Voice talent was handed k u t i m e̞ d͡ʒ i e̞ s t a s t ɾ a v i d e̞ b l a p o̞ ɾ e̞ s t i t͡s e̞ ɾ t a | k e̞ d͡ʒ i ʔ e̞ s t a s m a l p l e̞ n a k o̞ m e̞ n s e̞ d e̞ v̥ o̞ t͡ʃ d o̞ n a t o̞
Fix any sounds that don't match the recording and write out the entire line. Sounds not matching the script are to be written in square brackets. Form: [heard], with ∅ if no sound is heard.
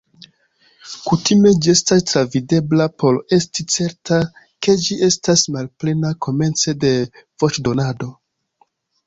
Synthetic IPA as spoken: k u t i m e̞ d͡ʒ i e̞ s t a s t ɾ a v i d e̞ b l a p o̞ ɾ e̞ s t i t͡s e̞ ɾ t a | k e̞ d͡ʒ i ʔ e̞ s t a s m a l p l e̞ n a k o̞ m e̞ n [t͡s] e̞ d e̞ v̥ o̞ t͡ʃ d o̞ n a [d] o̞